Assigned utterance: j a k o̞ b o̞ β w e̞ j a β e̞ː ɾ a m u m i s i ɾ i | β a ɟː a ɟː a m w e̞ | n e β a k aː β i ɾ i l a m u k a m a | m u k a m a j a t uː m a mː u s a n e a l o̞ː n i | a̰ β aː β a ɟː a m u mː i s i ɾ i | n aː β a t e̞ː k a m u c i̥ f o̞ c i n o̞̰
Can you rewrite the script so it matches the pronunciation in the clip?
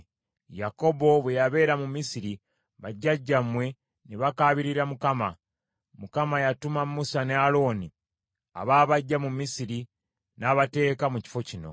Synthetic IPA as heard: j a k o̞ b o̞ β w e̞ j a β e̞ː ɾ a m u m i s i ɾ i | β a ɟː a ɟː a m w e̞ | n e β a k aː β i ɾ i ɾ a m u k a m a | m u k a m a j a t u m a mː u s a n e a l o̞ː n i | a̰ β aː β a ɟː a m u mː i s i ɾ i | n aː β a t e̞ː k a m u c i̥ f o̞ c i n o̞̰